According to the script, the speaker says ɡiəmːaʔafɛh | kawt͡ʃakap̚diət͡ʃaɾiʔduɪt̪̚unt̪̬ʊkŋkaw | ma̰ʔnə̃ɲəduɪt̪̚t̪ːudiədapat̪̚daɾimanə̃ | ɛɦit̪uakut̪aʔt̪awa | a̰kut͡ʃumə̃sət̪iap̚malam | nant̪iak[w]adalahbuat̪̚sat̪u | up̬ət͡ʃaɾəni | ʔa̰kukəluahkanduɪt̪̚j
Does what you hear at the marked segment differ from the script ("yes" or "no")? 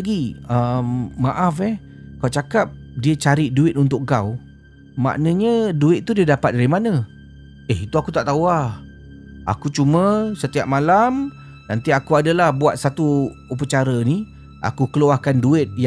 yes